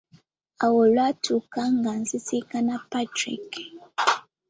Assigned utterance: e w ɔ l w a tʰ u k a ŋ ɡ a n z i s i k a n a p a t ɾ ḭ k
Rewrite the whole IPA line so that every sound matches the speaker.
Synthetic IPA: a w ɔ l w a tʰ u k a ŋ ɡ a n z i s i k a n a p a t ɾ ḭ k